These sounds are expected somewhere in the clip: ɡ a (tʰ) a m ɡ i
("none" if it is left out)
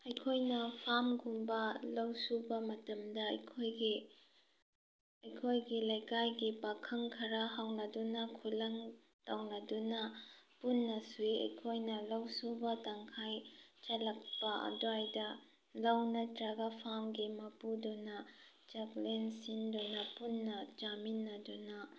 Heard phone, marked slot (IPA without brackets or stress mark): pʰ